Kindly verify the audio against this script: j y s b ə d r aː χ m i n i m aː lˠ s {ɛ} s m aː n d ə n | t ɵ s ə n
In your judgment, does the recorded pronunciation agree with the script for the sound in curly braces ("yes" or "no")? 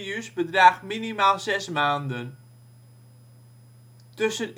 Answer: yes